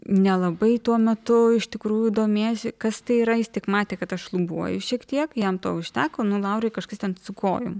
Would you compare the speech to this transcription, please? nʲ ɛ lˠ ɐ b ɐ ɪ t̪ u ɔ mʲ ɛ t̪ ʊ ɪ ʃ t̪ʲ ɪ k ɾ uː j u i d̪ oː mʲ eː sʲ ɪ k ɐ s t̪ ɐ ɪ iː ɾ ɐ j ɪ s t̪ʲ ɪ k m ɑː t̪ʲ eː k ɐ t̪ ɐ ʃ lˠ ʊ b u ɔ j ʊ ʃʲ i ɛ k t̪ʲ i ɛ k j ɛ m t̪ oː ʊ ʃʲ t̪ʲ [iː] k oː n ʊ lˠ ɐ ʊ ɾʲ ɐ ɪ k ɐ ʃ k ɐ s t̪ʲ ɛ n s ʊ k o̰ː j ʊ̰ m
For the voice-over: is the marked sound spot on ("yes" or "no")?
no